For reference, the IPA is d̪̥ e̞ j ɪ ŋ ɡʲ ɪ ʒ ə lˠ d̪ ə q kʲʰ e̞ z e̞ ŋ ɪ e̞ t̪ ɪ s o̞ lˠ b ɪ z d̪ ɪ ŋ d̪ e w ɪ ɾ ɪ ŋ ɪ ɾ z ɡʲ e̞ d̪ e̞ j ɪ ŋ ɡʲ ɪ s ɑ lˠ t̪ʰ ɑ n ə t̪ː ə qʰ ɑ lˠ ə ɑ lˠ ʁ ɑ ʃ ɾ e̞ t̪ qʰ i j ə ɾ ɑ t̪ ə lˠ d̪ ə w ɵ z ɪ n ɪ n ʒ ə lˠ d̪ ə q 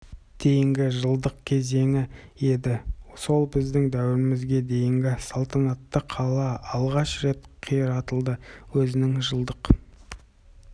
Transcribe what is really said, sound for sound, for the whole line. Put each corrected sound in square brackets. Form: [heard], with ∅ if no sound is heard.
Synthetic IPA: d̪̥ e̞ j ɪ ŋ ɡʲ ɪ ʒ ə lˠ d̪ ə q kʲʰ e̞ z e̞ ŋ ɪ e̞ [d̪] ɪ s o̞ lˠ b ɪ z d̪ ɪ ŋ d̪ [æ] w ɪ ɾ ɪ [m] ɪ [∅] z ɡʲ e̞ d̪ e̞ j ɪ ŋ ɡʲ ɪ s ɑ lˠ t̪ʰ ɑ n [ɑ] t̪ː ə qʰ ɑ lˠ [ɑ] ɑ lˠ ʁ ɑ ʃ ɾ e̞ t̪ qʰ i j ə ɾ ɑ t̪ ə lˠ d̪ ə w ɵ z ɪ n ɪ [ŋ] ʒ ə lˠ d̪ ə q